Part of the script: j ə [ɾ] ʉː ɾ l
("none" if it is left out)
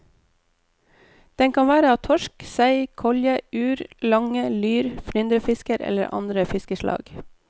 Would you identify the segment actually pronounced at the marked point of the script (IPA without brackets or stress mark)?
none